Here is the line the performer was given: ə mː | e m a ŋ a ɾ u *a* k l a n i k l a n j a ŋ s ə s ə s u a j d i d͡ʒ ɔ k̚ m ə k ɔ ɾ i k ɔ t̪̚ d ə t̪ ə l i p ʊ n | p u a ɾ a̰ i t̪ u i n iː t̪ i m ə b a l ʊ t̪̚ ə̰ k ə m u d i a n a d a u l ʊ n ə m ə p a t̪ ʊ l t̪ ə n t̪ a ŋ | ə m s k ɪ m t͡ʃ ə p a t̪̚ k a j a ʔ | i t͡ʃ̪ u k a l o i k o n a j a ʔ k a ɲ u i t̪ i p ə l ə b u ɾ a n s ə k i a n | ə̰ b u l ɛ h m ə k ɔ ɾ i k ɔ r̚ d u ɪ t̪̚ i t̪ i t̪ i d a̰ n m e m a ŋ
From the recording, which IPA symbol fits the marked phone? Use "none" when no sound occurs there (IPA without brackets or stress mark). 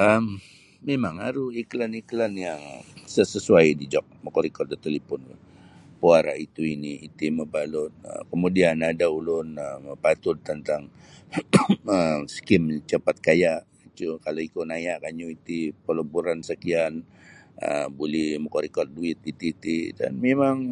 i